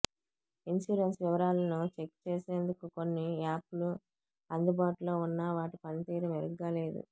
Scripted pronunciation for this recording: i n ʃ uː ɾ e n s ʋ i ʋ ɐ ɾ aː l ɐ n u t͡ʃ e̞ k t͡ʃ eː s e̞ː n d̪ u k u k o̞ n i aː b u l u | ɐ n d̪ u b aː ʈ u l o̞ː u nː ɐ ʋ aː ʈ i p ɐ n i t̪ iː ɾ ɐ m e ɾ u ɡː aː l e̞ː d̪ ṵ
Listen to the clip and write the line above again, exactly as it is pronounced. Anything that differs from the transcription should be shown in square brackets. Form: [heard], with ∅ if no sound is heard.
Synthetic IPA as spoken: i n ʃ uː ɾ e n s ʋ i ʋ ɐ ɾ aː l ɐ n u t͡ʃ e̞ k t͡ʃ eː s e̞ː n d̪ u k u k o̞ [nː] i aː [p] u l u | ɐ n d̪ u b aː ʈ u l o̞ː u nː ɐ ʋ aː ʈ i p ɐ n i t̪ iː ɾ ɐ m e ɾ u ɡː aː l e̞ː d̪ ṵ

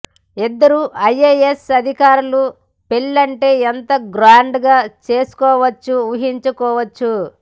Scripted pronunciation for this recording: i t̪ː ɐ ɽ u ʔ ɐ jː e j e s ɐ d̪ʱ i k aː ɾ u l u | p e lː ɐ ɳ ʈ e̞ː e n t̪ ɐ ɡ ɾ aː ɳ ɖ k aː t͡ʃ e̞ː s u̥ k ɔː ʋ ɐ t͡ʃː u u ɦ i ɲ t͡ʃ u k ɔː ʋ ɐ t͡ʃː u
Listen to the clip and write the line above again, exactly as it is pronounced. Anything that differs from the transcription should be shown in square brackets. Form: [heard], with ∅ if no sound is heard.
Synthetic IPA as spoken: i [d̪ː] ɐ [ɾ] u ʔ ɐ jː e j e s ɐ d̪ʱ i k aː ɾ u l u | p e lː ɐ ɳ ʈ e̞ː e n t̪ ɐ ɡ ɾ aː ɳ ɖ [ɡ] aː t͡ʃ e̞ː s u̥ k ɔː ʋ ɐ t͡ʃː u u ɦ i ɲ t͡ʃ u k ɔː ʋ ɐ t͡ʃː u

